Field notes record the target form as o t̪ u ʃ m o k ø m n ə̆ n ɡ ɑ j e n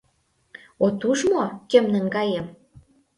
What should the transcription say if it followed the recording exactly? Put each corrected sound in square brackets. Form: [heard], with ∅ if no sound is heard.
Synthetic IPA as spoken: o t̪ u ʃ m o k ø m n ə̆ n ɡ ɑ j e [m]